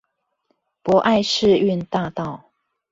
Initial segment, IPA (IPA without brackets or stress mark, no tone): p